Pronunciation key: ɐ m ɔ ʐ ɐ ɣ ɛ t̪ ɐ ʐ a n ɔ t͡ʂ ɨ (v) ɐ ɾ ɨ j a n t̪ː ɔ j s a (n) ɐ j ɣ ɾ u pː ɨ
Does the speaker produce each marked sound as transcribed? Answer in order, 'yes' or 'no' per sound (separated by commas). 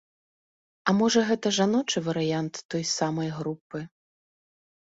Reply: yes, no